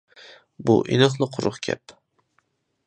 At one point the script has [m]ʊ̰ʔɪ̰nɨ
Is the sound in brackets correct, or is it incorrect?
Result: incorrect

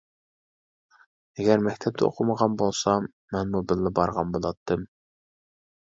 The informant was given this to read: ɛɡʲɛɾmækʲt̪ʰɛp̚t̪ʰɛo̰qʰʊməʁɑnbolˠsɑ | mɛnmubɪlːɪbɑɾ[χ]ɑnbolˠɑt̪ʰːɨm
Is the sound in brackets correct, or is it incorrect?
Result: incorrect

